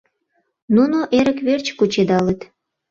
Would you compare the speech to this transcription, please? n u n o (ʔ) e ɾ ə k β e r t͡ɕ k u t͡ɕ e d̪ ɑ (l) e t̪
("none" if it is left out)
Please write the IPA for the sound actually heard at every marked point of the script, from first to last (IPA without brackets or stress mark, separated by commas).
ʔ, l